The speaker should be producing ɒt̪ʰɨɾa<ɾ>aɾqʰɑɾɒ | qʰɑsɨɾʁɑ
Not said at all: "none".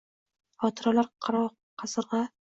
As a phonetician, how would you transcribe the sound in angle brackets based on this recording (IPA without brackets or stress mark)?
l